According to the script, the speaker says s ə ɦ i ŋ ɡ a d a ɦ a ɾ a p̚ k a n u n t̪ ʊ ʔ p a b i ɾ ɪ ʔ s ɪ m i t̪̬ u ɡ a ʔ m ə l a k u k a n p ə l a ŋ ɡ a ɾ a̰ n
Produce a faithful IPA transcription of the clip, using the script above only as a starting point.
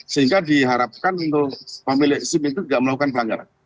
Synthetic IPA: s ə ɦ i ŋ ɡ a d i ɦ a ɾ a p̚ k a n u n t̪ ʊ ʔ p a m i l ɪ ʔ s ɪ m i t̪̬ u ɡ a ʔ m ə l a k u k a n p ə l a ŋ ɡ a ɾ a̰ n